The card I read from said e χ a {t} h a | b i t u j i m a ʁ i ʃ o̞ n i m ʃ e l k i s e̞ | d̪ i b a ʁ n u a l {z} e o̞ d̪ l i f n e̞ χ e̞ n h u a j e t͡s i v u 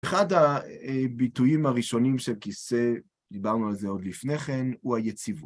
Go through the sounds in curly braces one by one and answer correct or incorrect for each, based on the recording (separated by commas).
incorrect, correct